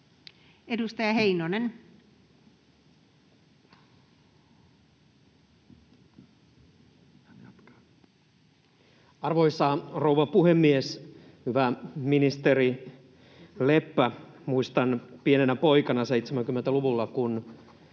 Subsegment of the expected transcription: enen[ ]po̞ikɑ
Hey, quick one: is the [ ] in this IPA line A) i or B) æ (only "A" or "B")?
B